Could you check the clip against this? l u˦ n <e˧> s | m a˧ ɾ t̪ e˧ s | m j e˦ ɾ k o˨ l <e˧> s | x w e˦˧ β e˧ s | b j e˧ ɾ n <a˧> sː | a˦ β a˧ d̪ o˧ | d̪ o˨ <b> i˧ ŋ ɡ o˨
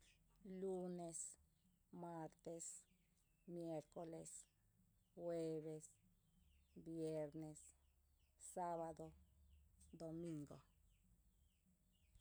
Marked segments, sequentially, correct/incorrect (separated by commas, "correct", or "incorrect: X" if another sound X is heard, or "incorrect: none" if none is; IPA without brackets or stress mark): correct, correct, incorrect: e˧, incorrect: m